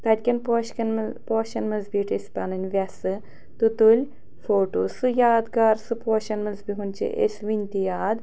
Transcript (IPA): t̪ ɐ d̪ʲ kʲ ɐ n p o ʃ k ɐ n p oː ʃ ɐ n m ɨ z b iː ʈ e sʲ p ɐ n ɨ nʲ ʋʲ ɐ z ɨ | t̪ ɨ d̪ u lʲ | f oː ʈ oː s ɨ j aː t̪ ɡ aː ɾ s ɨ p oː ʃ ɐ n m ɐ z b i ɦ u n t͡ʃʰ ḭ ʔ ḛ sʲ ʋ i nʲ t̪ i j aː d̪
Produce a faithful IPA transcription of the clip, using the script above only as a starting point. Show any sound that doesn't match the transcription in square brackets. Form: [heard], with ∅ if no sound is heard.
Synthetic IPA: t̪ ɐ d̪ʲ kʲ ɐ n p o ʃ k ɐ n p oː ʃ ɐ n m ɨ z b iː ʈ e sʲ p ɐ n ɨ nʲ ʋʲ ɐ [s] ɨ | t̪ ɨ [t̪] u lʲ | f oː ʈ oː s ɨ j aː [d̪] ɡ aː ɾ s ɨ p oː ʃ ɐ n m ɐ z b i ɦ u n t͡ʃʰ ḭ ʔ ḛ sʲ ʋ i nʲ t̪ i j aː d̪